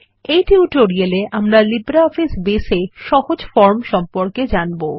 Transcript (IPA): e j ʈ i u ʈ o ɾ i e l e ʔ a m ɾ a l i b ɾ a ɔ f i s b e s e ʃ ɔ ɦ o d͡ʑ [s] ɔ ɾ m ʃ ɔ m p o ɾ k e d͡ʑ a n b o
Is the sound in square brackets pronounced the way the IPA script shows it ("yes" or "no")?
no